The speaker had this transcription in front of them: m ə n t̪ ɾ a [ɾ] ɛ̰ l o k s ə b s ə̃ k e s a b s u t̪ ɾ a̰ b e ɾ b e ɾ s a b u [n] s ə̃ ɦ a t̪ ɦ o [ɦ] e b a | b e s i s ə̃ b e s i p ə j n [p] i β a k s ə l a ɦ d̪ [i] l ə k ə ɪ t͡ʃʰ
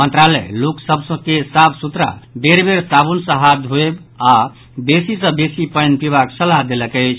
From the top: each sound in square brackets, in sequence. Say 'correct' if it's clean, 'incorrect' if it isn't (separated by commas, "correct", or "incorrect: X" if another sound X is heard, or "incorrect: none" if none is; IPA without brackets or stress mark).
incorrect: l, correct, incorrect: none, correct, incorrect: e